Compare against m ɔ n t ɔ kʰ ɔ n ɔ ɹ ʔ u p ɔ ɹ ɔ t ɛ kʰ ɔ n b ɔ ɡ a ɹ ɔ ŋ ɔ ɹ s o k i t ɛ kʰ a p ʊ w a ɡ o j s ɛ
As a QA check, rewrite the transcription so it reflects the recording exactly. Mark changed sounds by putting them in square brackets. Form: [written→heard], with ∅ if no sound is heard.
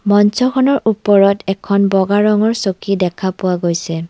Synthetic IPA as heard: m ɔ n [t→s] ɔ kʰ ɔ n ɔ ɹ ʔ u p ɔ ɹ ɔ t ɛ kʰ ɔ n b ɔ ɡ a ɹ ɔ ŋ ɔ ɹ s o k i [t→d] ɛ kʰ a p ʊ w a ɡ o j s ɛ